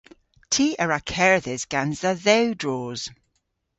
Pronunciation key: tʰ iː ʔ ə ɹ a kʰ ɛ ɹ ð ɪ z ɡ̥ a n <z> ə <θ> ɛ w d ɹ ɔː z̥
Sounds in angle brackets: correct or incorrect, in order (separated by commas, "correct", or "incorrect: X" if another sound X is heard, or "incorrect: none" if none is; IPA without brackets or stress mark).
correct, incorrect: ð